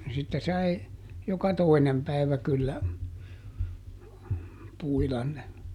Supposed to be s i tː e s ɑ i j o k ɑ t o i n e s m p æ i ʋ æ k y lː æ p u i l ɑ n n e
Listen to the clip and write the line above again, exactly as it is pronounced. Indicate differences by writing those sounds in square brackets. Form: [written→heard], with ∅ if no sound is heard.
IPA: s i tː e s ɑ i j o k ɑ t o i n e [s→∅] m p æ i ʋ æ k y lː æ p u i l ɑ n n e